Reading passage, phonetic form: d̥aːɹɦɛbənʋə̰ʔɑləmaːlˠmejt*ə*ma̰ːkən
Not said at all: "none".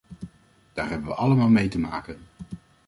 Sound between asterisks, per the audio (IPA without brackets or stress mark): ə